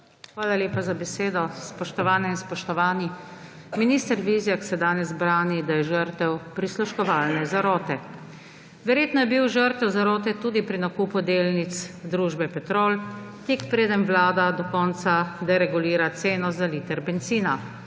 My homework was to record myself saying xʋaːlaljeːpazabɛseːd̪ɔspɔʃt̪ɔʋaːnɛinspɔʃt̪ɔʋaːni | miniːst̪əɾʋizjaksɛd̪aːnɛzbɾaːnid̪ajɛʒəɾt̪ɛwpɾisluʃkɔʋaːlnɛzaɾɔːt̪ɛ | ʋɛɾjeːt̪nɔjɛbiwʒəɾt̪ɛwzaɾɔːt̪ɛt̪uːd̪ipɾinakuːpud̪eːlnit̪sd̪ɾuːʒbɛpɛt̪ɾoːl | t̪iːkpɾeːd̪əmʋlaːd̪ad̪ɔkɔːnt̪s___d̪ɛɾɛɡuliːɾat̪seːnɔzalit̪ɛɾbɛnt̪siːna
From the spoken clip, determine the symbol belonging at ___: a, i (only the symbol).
a